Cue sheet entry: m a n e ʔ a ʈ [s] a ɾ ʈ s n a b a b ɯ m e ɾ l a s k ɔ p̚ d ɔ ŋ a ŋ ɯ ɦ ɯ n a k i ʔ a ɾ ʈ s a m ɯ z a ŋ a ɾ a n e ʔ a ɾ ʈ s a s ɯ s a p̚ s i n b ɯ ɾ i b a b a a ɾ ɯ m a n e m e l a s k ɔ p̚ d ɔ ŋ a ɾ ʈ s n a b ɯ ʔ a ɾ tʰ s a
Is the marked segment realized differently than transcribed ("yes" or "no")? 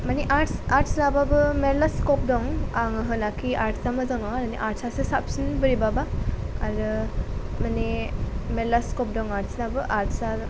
no